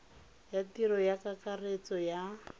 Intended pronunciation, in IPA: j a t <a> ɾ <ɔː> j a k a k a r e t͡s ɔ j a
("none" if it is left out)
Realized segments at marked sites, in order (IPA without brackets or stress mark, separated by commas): i, ɔ